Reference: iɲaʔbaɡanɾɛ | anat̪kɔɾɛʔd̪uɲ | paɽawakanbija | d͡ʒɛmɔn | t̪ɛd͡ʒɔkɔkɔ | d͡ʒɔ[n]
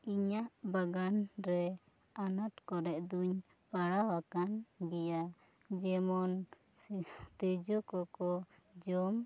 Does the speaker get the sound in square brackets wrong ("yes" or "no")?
yes